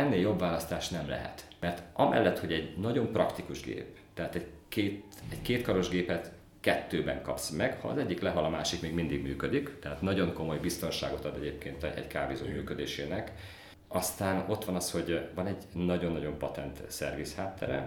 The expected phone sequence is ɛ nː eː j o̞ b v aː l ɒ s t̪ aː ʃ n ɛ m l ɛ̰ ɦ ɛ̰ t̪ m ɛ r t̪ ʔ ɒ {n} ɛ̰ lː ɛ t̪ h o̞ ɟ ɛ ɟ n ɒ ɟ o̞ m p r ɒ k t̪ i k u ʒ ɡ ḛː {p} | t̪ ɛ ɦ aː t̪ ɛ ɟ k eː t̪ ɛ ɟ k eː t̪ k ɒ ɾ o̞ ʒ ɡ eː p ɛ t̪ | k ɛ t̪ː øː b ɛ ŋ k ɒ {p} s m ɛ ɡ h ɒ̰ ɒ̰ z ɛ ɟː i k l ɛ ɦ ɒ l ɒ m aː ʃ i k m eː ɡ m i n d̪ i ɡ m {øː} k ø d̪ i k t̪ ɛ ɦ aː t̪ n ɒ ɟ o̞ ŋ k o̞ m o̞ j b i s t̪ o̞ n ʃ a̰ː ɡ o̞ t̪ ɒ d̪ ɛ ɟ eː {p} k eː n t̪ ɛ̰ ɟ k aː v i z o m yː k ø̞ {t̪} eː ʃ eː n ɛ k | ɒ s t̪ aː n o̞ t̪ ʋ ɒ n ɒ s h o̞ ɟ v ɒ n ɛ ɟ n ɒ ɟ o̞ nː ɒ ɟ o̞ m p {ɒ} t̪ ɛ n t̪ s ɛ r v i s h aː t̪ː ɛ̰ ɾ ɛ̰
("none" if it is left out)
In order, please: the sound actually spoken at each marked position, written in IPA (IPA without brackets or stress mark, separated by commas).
m, p, p, yː, p, d̪, ɒ